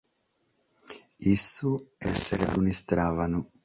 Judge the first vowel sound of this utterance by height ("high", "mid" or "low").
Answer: high